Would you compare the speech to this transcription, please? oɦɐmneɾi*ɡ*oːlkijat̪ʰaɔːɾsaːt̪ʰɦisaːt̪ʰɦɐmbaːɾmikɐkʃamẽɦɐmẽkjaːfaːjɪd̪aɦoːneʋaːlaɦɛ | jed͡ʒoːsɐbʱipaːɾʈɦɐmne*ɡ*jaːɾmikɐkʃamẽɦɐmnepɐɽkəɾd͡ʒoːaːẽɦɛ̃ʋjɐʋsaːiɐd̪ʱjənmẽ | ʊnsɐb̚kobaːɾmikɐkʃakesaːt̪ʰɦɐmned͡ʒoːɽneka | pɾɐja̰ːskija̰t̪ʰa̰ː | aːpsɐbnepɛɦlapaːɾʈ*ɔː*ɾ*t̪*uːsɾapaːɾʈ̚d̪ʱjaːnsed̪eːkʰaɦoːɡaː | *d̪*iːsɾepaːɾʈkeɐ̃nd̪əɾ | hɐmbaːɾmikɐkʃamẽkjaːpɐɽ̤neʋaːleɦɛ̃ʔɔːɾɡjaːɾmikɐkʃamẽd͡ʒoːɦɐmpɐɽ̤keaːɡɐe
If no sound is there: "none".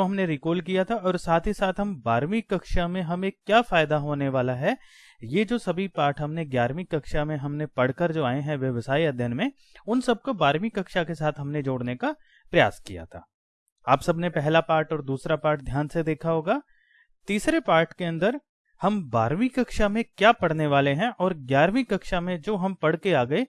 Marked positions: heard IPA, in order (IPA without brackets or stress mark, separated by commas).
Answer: k, ɡ, ɔː, d̪, t̪